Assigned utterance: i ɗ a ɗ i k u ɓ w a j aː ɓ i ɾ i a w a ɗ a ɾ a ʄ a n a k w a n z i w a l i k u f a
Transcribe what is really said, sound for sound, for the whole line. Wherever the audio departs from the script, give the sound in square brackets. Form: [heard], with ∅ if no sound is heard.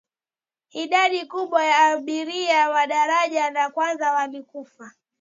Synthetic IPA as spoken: i ɗ a ɗ i k u ɓ w a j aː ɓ i ɾ i a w a ɗ a ɾ a ʄ a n a k w a n z [a] w a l i k u f a